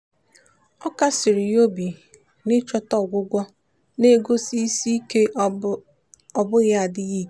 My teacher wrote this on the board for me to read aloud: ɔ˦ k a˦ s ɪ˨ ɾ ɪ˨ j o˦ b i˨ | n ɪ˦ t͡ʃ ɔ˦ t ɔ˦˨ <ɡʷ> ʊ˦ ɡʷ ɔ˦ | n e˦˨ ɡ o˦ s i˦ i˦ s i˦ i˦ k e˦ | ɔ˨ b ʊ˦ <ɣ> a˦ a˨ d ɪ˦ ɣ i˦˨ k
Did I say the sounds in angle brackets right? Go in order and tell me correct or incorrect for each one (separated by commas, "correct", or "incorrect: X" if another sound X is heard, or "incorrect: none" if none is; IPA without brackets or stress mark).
correct, correct